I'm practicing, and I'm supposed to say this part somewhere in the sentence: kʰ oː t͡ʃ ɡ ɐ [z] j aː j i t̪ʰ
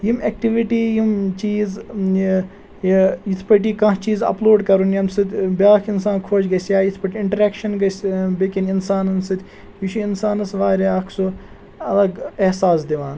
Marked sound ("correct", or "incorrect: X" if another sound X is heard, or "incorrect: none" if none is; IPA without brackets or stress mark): incorrect: s